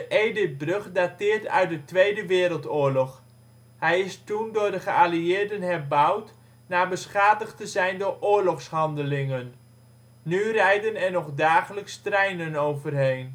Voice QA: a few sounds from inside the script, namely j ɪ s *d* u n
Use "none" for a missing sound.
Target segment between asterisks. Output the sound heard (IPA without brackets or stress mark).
t